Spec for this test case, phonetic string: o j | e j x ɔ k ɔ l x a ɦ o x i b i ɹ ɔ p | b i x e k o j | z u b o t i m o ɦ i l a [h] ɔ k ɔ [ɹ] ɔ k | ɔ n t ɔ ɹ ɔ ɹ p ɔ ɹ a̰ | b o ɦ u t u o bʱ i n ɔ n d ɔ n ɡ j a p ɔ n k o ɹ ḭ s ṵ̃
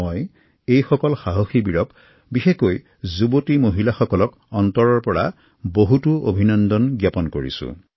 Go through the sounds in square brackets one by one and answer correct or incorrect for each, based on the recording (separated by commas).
incorrect, incorrect